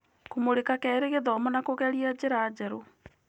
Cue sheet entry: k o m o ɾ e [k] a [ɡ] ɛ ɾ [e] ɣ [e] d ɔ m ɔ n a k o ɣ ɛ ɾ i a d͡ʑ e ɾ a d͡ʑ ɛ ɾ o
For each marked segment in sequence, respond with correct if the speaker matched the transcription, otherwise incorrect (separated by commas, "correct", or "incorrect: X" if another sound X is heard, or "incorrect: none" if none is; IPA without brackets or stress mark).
correct, incorrect: k, correct, correct